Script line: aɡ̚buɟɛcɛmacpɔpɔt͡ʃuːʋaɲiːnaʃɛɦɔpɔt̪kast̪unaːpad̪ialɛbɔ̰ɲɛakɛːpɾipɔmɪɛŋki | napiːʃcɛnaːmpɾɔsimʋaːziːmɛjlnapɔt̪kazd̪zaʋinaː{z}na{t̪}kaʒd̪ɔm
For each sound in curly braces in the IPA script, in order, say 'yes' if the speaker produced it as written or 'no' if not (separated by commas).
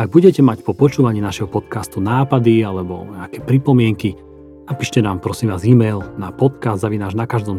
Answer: no, no